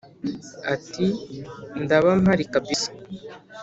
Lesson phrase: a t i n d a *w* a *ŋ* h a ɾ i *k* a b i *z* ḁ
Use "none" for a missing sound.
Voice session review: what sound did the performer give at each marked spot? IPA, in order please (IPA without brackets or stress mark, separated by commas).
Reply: β, m, k, s